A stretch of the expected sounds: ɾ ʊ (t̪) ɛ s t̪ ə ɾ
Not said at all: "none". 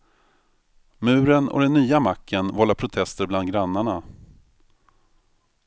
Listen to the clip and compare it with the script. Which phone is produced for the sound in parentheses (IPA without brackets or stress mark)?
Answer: t̪ʰ